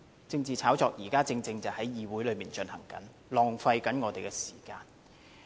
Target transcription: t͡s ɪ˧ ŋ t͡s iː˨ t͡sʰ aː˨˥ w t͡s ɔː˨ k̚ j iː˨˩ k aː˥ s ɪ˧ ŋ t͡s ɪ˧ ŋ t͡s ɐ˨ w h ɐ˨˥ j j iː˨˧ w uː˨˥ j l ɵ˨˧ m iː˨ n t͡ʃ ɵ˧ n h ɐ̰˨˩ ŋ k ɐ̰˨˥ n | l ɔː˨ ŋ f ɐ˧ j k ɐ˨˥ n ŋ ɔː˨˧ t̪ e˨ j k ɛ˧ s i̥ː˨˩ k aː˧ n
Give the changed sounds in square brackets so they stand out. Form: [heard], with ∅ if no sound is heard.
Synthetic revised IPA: t͡s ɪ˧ ŋ t͡s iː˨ t͡sʰ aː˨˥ w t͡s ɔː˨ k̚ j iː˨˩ k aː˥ [t͡s] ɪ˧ ŋ t͡s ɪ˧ ŋ t͡s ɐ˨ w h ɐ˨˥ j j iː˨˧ w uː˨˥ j l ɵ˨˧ m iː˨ n t͡ʃ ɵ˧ n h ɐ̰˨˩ ŋ k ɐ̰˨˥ n | l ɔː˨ ŋ f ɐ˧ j k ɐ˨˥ n ŋ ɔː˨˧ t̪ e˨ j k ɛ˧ s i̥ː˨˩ k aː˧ n